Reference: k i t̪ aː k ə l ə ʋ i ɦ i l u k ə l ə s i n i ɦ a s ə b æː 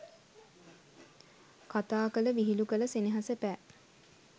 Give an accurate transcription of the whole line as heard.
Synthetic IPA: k a t̪ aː k ə l ə ʋ i ɦ i l u k ə l ə s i n i ɦ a s ə p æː